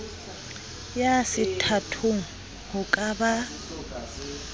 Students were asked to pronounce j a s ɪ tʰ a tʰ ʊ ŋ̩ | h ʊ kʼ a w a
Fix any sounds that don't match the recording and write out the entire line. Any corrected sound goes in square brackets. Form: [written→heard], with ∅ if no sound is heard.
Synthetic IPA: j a s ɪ tʰ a tʰ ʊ ŋ̩ | h ʊ kʼ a [w→b] a